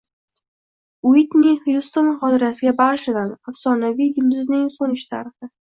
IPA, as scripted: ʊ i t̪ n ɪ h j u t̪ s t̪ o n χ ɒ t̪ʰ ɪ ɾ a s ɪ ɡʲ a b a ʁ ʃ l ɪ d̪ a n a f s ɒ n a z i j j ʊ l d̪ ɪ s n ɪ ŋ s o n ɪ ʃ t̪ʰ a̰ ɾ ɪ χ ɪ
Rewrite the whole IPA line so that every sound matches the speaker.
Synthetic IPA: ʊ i t̪ n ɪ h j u s t̪ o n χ ɒ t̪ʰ ɪ ɾ a s ɪ ɡʲ a b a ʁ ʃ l ɪ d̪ a n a f s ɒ n a v i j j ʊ l d̪ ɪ z n ɪ ŋ s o n ɪ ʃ t̪ʰ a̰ ɾ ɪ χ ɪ